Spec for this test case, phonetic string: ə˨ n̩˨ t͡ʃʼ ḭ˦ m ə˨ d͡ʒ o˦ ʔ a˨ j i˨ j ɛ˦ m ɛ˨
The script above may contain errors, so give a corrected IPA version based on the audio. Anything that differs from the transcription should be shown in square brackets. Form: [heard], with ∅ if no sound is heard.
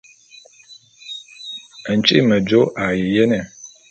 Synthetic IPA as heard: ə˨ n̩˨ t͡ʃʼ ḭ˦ m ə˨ d͡ʒ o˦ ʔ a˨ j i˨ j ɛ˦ [n] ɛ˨